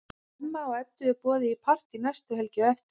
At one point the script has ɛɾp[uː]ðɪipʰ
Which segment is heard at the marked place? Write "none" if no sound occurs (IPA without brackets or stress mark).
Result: ɔː